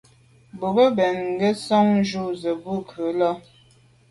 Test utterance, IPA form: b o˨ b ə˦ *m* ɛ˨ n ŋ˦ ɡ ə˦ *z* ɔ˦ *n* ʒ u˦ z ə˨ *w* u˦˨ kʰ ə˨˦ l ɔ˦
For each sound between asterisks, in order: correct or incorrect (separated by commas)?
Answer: incorrect, incorrect, incorrect, incorrect